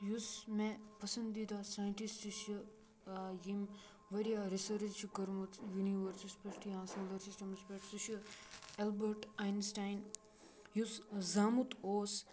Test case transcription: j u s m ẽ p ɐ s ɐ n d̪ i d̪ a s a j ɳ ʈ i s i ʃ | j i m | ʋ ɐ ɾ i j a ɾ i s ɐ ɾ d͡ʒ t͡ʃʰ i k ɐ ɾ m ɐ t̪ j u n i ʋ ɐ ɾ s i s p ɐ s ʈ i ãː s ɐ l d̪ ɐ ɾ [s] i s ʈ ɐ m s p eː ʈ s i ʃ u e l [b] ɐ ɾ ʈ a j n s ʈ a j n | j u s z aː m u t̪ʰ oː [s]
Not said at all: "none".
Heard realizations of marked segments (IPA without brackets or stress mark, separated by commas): s, b, s